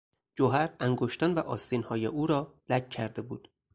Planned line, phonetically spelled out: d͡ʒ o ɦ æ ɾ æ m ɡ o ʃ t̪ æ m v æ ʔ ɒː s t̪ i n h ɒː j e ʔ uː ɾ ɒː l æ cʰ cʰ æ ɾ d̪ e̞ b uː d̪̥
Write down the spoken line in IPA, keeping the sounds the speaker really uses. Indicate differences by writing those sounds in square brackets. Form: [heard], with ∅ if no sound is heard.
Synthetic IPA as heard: d͡ʒ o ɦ æ ɾ æ [ŋ] ɡ o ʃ t̪ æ [n] v æ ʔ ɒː s t̪ i n h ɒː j e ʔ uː ɾ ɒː l æ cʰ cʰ æ ɾ d̪ e̞ b uː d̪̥